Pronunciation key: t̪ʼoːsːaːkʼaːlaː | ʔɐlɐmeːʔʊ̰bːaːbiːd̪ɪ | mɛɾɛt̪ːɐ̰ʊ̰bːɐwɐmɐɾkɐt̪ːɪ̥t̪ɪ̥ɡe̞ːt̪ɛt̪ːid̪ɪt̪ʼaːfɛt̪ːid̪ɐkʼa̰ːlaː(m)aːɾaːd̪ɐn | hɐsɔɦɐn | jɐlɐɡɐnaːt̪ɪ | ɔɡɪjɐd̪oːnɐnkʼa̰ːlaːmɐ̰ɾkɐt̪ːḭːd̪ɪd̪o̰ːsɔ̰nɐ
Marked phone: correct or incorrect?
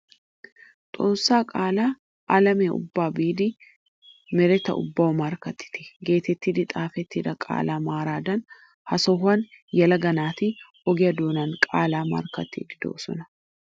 correct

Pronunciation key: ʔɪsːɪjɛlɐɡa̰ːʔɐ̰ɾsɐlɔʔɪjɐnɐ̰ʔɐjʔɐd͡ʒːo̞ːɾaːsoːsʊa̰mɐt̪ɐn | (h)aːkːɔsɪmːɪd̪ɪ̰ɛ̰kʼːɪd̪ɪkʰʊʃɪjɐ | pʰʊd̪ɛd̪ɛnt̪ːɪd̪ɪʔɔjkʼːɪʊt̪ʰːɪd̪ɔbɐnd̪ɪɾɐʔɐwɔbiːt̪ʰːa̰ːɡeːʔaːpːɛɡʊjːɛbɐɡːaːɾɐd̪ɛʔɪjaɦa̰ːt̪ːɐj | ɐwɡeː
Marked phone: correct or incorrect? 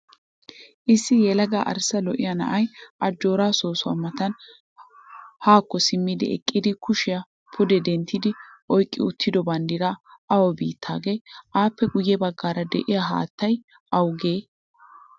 correct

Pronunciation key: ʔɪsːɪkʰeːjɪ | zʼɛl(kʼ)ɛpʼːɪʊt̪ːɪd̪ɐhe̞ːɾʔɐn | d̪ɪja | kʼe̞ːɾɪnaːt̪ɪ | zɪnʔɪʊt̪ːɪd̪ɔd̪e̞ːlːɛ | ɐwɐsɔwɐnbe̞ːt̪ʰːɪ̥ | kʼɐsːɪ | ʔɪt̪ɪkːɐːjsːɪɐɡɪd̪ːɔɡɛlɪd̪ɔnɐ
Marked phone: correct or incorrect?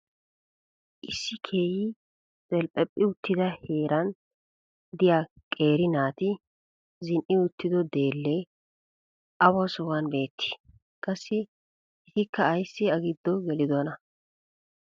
incorrect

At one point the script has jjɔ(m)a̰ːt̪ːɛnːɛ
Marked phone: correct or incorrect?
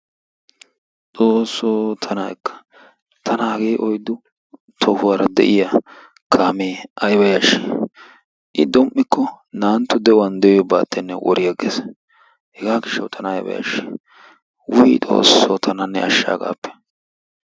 incorrect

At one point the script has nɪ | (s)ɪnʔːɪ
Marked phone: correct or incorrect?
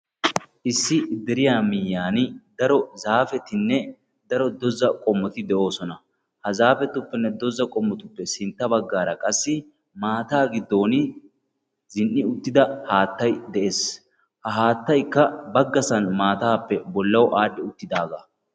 incorrect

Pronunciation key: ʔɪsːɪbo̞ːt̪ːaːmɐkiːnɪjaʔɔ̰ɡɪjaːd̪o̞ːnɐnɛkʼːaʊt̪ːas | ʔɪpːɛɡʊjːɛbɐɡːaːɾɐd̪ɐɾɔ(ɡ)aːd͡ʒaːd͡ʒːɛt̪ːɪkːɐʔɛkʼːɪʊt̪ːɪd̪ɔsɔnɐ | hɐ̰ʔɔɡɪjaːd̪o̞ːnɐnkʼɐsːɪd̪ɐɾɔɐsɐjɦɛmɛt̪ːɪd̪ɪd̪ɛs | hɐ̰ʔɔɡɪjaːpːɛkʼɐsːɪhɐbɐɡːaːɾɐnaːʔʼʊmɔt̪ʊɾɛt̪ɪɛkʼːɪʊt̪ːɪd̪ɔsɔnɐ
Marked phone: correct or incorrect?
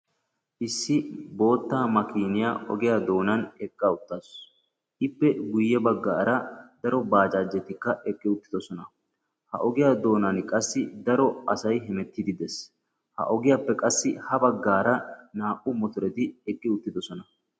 incorrect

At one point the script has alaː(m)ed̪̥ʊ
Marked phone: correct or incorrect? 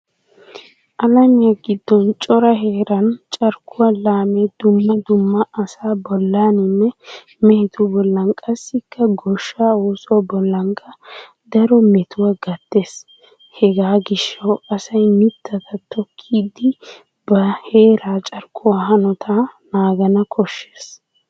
correct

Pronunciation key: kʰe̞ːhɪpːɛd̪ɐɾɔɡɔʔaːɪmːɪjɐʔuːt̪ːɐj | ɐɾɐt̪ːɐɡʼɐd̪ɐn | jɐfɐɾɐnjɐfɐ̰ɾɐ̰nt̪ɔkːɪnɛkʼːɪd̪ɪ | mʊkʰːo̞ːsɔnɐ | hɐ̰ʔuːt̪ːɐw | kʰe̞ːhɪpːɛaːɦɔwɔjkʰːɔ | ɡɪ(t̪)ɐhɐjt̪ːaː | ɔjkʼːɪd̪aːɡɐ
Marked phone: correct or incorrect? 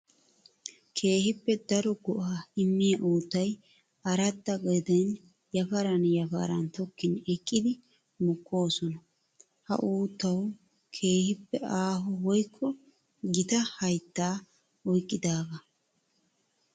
correct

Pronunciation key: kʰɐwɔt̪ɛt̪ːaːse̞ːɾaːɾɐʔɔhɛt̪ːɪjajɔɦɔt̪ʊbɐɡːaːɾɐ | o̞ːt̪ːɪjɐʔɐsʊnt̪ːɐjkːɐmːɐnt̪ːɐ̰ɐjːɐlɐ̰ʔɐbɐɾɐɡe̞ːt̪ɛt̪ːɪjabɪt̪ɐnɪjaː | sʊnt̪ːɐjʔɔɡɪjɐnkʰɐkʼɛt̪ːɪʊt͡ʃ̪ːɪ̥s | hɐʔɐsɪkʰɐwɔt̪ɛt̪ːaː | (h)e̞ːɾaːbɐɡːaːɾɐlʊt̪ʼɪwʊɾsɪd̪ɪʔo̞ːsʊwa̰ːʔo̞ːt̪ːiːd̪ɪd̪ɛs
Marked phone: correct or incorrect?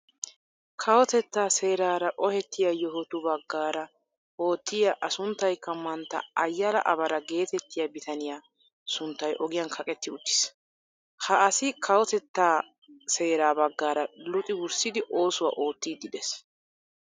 incorrect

